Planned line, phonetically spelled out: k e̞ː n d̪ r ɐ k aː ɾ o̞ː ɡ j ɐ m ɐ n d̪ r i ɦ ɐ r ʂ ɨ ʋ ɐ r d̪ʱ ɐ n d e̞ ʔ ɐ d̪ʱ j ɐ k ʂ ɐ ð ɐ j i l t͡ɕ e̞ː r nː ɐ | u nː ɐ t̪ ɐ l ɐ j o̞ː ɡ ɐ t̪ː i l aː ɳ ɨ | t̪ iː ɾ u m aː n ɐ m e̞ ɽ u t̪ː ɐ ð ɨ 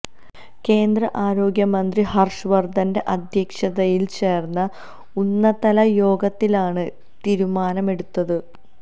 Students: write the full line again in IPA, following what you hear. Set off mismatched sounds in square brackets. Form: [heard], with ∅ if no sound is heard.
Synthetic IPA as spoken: k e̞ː n d̪ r ɐ [ʔ] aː ɾ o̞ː ɡ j ɐ m ɐ n d̪ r i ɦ ɐ r ʂ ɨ ʋ ɐ r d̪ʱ ɐ n d e̞ ʔ ɐ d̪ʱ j ɐ k ʂ ɐ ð ɐ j i l t͡ɕ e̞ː r nː ɐ | u nː ɐ t̪ ɐ l ɐ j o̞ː ɡ ɐ t̪ː i l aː ɳ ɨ | t̪ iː ɾ u m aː n ɐ m e̞ ɽ u t̪ː ɐ ð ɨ